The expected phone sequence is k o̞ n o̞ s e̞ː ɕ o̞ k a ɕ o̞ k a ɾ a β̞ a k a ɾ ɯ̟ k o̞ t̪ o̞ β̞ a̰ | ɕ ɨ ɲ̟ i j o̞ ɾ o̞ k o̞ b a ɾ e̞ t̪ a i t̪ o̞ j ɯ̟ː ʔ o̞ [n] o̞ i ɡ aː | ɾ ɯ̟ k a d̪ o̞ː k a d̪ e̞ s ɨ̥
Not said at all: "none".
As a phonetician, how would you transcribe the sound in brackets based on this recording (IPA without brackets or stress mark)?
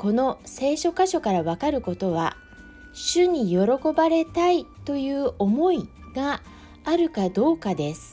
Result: m